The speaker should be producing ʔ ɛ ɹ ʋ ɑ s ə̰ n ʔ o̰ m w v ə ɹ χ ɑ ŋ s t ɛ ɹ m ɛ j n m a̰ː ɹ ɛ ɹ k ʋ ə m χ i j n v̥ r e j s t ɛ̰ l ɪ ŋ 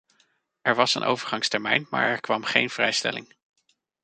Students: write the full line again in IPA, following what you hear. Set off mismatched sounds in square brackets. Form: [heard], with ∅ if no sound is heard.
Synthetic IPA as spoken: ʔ ɛ ɹ ʋ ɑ s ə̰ n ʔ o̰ [∅] w v ə ɹ χ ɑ ŋ s t ɛ ɹ m ɛ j n m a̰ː ɹ ɛ ɹ k ʋ [ɑ] m χ [e] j n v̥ r [ɛ] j s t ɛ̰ l ɪ ŋ